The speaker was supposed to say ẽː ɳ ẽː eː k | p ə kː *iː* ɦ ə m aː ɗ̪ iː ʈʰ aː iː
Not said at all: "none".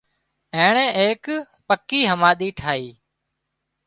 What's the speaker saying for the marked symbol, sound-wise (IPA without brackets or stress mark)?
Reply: iː